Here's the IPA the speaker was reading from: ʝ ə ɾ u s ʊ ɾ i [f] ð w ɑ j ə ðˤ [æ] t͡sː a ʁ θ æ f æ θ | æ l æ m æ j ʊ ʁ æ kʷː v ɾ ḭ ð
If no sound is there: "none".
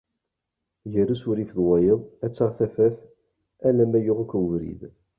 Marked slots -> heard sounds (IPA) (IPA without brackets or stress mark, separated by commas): f, æ